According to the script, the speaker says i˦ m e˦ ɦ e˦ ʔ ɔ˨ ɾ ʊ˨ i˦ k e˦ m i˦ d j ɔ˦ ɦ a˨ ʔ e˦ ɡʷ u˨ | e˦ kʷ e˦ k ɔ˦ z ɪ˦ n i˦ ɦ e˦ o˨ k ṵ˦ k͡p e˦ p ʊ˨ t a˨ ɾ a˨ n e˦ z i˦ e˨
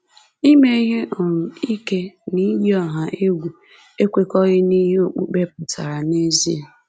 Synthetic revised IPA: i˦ m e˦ ɦ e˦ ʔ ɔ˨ ɾ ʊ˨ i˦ k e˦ n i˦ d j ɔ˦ ɦ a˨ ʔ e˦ ɡʷ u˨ | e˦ kʷ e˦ k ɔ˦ ɣ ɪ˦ n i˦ ɦ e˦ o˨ k͡p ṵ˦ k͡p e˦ p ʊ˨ t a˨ ɾ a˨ n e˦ z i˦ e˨